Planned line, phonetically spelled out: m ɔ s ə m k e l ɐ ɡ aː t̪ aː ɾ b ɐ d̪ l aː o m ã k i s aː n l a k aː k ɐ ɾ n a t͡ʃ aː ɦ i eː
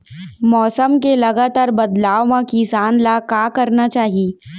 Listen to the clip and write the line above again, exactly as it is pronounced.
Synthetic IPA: m ɔː s ə m k e l ɐ ɡ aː t̪ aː ɾ b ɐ d̪ l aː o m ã k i s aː n l a k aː k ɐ ɾ n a t͡ʃ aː ɦ i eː